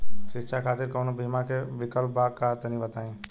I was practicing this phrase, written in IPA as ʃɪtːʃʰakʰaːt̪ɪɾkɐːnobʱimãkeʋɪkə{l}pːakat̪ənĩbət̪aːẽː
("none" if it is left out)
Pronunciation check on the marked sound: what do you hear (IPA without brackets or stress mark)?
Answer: l